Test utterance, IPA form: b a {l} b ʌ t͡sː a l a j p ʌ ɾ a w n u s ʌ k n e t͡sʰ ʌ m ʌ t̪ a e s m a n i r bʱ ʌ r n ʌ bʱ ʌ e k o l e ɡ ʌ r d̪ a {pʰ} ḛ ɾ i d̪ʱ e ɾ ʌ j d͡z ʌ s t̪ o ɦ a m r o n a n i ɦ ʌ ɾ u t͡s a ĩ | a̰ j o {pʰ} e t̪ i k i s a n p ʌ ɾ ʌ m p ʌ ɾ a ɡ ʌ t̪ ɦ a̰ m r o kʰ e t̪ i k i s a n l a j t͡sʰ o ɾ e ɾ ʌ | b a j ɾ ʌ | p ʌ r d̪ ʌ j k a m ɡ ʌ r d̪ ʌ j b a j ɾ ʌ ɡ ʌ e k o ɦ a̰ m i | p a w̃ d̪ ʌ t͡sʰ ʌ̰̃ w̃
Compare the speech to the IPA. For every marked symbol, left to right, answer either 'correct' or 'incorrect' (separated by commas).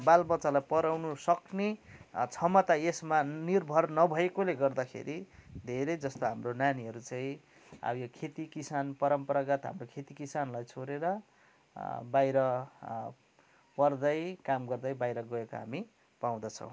correct, incorrect, incorrect